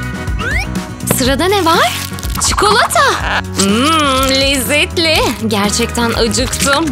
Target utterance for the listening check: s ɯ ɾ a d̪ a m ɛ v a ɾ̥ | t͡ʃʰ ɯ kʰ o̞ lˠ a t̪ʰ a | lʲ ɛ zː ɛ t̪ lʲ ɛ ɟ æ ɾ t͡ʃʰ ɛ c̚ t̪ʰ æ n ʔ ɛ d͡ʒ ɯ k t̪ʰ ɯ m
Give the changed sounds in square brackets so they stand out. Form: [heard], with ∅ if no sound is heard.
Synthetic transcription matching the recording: s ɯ ɾ a d̪ a [n] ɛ v a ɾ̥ | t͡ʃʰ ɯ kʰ o̞ lˠ a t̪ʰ a | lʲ ɛ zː ɛ t̪ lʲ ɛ ɟ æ ɾ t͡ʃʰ ɛ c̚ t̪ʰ æ n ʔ [a] d͡ʒ ɯ k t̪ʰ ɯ m